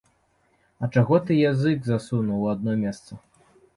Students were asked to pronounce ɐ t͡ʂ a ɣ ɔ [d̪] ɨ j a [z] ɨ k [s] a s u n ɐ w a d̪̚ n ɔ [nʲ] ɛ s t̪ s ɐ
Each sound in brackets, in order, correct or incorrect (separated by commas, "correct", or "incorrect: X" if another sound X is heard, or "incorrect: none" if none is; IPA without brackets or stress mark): incorrect: t̪, correct, incorrect: z, incorrect: mʲ